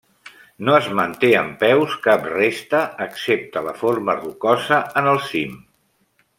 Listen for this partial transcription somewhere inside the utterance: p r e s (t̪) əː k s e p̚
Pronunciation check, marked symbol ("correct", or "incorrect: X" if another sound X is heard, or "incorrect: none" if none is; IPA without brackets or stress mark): correct